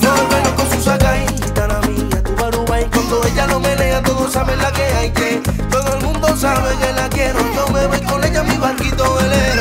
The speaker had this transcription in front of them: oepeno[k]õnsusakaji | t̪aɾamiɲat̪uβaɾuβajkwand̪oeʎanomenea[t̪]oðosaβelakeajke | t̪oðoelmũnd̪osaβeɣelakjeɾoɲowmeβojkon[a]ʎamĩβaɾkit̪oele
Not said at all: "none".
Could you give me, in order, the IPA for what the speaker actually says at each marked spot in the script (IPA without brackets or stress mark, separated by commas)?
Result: k, t̪, e